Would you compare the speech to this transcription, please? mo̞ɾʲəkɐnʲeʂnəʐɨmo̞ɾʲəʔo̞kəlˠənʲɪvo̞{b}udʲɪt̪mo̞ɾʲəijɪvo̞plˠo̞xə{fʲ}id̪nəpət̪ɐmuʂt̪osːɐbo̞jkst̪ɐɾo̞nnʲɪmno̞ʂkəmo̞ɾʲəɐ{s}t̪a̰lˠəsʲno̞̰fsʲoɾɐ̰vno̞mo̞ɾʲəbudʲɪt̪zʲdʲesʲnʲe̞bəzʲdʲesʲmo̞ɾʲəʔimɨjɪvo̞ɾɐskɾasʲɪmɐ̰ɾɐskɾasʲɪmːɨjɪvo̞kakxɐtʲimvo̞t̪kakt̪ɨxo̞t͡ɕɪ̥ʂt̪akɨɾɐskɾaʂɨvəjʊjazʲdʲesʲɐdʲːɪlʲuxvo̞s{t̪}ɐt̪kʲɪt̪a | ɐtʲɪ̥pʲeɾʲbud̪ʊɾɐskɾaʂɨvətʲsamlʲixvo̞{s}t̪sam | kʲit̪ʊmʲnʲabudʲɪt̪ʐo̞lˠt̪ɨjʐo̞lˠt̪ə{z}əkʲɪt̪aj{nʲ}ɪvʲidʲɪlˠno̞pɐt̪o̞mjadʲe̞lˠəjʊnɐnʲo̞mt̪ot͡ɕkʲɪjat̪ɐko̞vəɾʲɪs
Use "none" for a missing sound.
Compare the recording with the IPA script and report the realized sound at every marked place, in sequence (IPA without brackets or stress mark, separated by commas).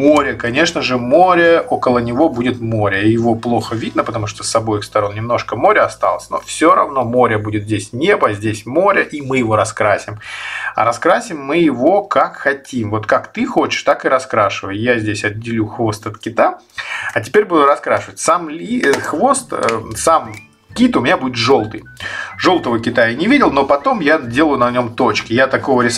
b, vʲ, s, t̪, s, v, nʲ